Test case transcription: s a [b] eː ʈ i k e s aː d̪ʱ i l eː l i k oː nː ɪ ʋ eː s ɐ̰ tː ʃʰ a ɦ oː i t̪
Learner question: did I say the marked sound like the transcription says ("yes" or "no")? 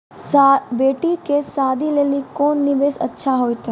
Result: yes